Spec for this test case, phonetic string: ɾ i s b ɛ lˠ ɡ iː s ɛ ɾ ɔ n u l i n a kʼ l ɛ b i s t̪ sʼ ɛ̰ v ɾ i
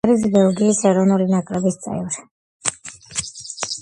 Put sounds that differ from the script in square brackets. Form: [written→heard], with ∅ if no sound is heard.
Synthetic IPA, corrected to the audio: ɾ i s b ɛ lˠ ɡ iː s ɛ ɾ ɔ n u l i n a kʼ [l→ɾ] ɛ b i s t̪ sʼ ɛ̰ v ɾ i